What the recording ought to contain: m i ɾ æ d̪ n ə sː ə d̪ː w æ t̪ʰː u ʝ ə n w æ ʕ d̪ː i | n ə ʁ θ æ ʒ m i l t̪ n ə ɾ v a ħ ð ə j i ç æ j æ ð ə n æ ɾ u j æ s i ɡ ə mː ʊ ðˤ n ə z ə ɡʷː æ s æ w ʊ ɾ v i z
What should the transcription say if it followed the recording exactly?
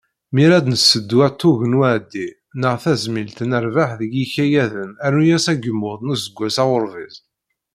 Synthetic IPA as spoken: m i ɾ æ d̪ n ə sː ə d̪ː w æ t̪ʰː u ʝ ə n w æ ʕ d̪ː i | n ə ʁ θ æ z m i l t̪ n ə ɾ v a ħ ð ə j i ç æ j æ ð ə n æ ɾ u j æ s æ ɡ ə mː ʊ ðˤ n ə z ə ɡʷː æ s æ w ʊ ɾ v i z